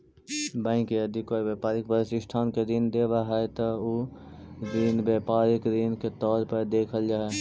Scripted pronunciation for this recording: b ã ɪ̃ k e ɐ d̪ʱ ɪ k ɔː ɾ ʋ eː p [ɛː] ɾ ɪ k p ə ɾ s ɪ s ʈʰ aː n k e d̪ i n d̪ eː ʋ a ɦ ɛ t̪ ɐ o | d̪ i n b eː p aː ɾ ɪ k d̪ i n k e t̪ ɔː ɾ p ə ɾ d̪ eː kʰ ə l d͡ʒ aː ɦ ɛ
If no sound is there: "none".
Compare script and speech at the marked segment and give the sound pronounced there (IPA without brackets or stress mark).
aː